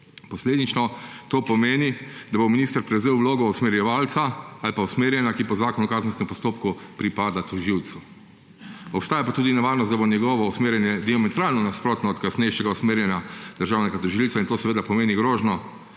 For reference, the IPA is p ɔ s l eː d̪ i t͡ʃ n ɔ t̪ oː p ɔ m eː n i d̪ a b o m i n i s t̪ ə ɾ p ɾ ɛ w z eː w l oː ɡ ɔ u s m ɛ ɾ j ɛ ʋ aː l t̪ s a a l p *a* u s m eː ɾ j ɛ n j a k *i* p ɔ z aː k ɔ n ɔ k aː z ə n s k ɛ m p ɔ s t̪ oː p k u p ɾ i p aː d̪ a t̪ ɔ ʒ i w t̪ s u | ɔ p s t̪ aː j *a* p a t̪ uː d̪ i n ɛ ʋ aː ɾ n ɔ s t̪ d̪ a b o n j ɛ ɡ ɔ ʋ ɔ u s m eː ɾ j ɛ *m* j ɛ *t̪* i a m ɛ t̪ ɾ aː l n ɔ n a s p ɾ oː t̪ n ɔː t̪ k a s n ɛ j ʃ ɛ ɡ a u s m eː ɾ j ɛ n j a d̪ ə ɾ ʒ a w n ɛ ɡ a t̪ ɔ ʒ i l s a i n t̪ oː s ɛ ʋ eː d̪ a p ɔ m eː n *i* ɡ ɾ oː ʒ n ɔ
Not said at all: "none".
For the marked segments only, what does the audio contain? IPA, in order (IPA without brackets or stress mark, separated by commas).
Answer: a, i, a, n, d̪, i